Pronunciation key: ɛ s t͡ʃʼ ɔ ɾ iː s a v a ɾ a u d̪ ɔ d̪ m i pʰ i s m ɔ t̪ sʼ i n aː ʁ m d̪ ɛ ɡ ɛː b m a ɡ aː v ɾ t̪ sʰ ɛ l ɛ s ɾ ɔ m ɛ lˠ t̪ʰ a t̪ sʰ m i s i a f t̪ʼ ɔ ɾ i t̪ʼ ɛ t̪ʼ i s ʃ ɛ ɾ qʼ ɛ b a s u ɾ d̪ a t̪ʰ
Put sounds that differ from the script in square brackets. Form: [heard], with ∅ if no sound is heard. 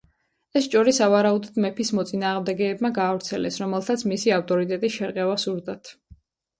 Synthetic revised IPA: ɛ s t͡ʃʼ ɔ ɾ [i] s a v a ɾ a u d̪ ɔ d̪ m [ɛ] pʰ i s m ɔ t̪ sʼ i n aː ʁ m d̪ ɛ ɡ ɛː b m a ɡ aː v ɾ t̪ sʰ ɛ l ɛ s ɾ ɔ m ɛ lˠ t̪ʰ a t̪ sʰ m i s i a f t̪ʼ ɔ ɾ i t̪ʼ ɛ t̪ʼ i s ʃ ɛ ɾ qʼ ɛ [v] a s u ɾ d̪ a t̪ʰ